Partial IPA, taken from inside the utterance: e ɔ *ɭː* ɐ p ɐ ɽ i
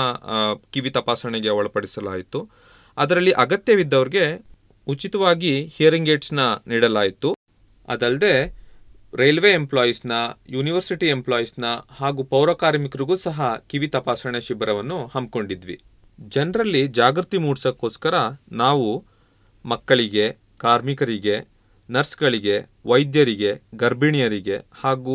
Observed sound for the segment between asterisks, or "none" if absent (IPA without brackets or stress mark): ɭ